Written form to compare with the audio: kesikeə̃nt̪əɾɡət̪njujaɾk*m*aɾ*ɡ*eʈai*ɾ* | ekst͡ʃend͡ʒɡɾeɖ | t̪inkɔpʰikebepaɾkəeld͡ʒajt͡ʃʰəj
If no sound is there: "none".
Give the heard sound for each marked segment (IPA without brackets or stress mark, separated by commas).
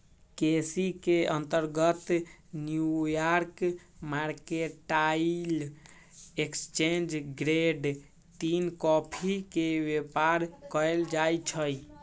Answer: m, k, l